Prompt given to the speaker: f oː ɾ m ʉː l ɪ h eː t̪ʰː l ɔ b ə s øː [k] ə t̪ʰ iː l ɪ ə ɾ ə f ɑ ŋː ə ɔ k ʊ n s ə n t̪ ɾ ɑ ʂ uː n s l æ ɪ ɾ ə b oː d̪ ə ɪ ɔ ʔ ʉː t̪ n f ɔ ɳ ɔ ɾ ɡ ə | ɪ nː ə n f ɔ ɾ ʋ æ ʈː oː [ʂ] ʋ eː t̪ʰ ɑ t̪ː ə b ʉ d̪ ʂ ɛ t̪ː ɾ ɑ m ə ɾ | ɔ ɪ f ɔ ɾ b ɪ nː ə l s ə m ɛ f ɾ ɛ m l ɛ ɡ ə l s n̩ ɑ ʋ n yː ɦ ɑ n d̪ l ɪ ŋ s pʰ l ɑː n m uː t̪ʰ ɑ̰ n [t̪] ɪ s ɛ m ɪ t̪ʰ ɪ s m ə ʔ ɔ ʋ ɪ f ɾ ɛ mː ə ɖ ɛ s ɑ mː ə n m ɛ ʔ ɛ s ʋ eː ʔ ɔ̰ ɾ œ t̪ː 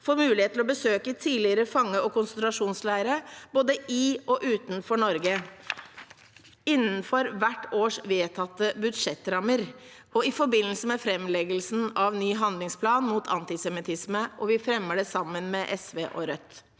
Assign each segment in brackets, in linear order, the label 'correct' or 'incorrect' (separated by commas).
correct, correct, correct